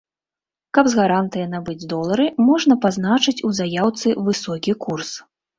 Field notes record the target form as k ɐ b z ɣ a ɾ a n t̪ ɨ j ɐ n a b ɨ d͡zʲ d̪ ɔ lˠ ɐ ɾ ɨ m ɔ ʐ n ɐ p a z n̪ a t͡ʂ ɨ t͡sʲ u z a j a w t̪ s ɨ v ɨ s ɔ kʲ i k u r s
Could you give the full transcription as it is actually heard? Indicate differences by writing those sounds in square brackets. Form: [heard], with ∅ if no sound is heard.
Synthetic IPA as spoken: k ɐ b z ɣ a ɾ a n t̪ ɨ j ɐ n a b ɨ d͡zʲ d̪ ɔ lˠ ɐ ɾ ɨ m ɔ ʐ n ɐ p a z n̪ a t͡ʂ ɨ t͡sʲ u z a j a w t̪ s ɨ v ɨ s ɔ kʲ i k u r s

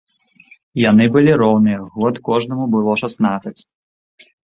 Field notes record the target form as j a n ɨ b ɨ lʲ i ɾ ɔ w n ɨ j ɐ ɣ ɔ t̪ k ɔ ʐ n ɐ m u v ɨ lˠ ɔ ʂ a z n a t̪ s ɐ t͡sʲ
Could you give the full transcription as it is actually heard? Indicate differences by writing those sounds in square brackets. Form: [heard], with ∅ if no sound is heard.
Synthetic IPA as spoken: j a n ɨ b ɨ lʲ i ɾ ɔ w n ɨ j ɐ ɣ ɔ t̪ k ɔ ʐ n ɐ m u [b] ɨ lˠ ɔ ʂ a [s] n a t̪ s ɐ t͡sʲ

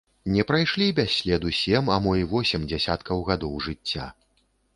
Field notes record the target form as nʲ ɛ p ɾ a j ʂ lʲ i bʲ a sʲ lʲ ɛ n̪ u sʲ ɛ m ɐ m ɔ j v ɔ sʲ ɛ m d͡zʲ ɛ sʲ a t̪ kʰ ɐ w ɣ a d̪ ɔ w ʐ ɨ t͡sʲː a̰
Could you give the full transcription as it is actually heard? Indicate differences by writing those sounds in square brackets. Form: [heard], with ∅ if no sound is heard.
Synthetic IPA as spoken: nʲ ɛ p ɾ a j ʂ lʲ i bʲ a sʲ lʲ ɛ [d̪] u sʲ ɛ m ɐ m ɔ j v ɔ sʲ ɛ m d͡zʲ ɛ sʲ a t̪ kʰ ɐ w ɣ a d̪ ɔ w ʐ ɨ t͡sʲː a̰

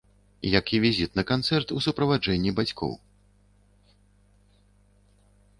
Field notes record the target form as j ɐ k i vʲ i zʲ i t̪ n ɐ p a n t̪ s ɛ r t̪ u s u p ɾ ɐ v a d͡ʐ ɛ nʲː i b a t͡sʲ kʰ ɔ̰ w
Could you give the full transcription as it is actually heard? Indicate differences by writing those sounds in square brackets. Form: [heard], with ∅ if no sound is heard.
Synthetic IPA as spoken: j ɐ k i vʲ i zʲ i t̪ n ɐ [k] a n t̪ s ɛ r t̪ u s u p ɾ ɐ v a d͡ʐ ɛ nʲː i b a t͡sʲ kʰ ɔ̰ w

